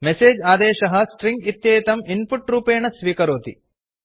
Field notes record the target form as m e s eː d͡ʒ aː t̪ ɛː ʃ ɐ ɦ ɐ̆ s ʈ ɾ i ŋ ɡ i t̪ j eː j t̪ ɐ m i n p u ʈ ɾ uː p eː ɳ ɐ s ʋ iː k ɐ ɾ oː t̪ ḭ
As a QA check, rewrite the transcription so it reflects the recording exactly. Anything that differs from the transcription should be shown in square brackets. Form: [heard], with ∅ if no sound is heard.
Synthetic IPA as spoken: m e s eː d͡ʒ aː [d̪] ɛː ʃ ɐ ɦ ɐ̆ s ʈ ɾ i ŋ ɡ i t̪ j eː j t̪ ɐ m i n p u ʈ ɾ uː p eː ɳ ɐ s ʋ iː k ɐ ɾ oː t̪ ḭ

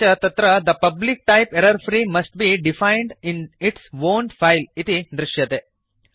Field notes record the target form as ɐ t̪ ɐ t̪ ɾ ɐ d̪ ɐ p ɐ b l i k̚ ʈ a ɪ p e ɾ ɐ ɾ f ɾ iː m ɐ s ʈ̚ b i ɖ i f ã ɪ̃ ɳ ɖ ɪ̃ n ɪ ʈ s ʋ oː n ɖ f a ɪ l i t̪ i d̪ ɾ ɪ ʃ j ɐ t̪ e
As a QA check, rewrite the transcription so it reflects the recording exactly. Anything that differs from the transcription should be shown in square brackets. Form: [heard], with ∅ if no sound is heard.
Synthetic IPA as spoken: ɐ t̪ ɐ t̪ ɾ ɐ d̪ ɐ p ɐ b l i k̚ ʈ a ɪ p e ɾ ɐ ɾ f ɾ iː m ɐ s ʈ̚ b i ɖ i f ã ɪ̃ ɳ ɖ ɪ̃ n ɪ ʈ s ʋ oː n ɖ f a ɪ l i t̪ i d̪ ɾ ɪ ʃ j ɐ t̪ e

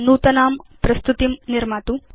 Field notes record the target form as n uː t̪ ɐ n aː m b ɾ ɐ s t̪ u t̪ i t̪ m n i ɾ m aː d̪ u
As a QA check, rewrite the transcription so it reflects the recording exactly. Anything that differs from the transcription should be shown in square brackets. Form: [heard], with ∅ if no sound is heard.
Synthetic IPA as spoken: n uː t̪ ɐ n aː m [p] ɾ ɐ s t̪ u t̪ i [∅] m n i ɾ m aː [t̪] u

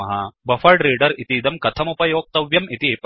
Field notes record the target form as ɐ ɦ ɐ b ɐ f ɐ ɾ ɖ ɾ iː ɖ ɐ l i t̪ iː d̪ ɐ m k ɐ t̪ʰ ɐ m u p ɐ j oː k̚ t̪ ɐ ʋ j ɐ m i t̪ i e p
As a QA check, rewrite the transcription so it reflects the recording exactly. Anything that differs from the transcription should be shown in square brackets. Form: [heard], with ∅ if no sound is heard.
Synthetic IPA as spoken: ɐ ɦ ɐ b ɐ f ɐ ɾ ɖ ɾ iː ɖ ɐ [ɾ] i t̪ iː d̪ ɐ m k ɐ t̪ʰ ɐ m u p ɐ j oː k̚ t̪ ɐ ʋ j ɐ m i t̪ i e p

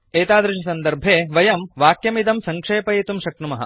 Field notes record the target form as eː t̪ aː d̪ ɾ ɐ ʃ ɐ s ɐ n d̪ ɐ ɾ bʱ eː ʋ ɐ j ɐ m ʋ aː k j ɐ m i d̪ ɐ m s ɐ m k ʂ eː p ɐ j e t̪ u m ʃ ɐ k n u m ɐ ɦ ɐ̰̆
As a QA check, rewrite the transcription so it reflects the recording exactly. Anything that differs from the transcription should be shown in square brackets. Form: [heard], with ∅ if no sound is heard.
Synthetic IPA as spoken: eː t̪ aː d̪ ɾ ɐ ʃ ɐ s ɐ n d̪ ɐ ɾ bʱ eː ʋ ɐ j ɐ m ʋ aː k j ɐ m i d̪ ɐ m s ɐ [ŋ] k ʂ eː p ɐ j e t̪ u m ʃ ɐ k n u m ɐ ɦ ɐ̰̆

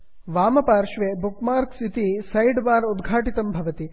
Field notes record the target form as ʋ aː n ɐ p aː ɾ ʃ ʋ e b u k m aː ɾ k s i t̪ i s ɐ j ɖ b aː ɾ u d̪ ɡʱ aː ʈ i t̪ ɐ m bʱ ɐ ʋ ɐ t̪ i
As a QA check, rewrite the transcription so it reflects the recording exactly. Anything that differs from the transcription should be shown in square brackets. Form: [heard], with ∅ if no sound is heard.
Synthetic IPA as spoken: ʋ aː [m] ɐ p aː ɾ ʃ ʋ e b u k m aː ɾ k s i t̪ i s ɐ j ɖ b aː ɾ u d̪ ɡʱ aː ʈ i t̪ ɐ m bʱ ɐ ʋ ɐ t̪ i

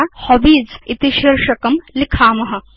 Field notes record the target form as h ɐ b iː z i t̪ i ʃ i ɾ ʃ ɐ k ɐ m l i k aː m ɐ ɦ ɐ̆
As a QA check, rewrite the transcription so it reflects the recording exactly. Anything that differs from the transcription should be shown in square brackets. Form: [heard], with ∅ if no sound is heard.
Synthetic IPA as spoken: h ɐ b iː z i t̪ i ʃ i ɾ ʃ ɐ k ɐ m l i [kʰ] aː m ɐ ɦ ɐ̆

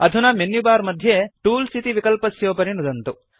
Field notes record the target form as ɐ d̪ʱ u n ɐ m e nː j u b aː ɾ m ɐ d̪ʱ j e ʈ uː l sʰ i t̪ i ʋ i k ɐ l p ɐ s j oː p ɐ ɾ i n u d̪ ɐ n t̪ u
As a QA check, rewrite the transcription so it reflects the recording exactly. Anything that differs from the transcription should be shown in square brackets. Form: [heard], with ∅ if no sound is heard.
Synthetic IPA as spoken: ɐ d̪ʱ u n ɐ m e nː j u b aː ɾ m ɐ d̪ʱ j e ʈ uː l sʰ i t̪ i ʋ i k ɐ l p ɐ s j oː p ɐ ɾ i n u d̪ ɐ n t̪ u

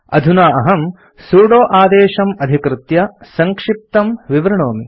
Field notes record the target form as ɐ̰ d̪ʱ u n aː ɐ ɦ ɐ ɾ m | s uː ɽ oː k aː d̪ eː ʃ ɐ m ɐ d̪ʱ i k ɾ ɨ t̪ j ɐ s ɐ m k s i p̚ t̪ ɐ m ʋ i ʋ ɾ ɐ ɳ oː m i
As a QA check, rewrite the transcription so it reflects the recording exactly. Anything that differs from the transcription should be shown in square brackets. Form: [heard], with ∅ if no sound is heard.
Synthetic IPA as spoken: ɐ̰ d̪ʱ u n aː ɐ ɦ ɐ [∅] m | s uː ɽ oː [ʔ] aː d̪ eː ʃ ɐ m ɐ d̪ʱ i k ɾ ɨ t̪ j ɐ s ɐ [ŋ] k [ʂ] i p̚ t̪ ɐ m ʋ i ʋ ɾ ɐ ɳ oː m i

